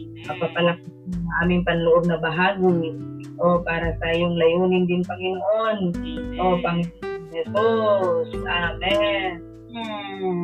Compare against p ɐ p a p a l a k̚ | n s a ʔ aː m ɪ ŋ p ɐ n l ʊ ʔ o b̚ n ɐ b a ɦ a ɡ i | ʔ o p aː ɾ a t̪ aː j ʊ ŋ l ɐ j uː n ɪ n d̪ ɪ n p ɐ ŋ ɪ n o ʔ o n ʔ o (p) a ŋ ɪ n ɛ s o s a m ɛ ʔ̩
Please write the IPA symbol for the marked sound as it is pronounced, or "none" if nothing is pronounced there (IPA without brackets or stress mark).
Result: p